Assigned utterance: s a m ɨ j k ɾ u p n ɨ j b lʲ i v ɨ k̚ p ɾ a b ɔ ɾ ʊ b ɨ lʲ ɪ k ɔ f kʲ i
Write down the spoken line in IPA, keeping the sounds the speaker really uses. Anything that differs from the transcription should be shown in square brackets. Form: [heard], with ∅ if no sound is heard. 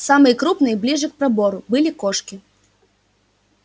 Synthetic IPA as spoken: s a m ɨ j k ɾ u p n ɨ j b lʲ i [ʐ] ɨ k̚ p ɾ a b ɔ ɾ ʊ b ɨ lʲ [i] k ɔ [ʂ] kʲ i